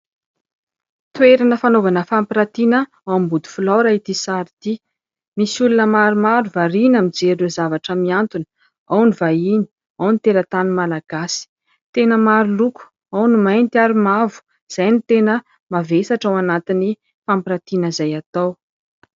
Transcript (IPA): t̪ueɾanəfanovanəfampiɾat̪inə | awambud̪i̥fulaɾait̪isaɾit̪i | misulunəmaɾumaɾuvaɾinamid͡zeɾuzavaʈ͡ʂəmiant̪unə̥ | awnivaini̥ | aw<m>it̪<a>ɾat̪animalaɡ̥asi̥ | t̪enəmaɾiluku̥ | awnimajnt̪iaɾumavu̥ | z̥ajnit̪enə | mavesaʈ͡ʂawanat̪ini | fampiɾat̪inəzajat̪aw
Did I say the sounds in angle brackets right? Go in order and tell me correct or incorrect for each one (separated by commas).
incorrect, incorrect